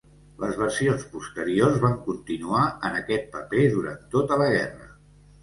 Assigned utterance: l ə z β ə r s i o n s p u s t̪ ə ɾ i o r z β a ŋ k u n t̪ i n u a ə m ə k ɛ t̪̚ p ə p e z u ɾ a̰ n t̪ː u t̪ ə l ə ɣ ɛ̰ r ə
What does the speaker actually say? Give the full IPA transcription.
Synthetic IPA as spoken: l ə z β ə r s i o n s p u s t̪ ə ɾ i o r z β a ŋ k u n t̪ i n u a ə n ə k ɛ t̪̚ p ə p e ð u ɾ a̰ n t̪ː o t̪ ə l ə ɣ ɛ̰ r ə